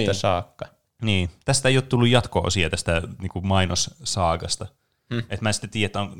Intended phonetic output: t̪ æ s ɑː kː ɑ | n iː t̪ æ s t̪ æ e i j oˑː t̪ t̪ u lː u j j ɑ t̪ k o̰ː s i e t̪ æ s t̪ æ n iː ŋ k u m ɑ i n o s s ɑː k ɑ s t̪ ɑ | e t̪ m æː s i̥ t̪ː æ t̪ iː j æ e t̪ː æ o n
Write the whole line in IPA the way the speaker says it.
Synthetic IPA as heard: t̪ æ s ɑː kː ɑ | n iː t̪ æ s t̪ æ e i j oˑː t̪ t̪ u lː u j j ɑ t̪ k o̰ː s i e t̪ æ s t̪ æ n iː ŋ k u m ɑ i n o s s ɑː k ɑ s t̪ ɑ | e t̪ m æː s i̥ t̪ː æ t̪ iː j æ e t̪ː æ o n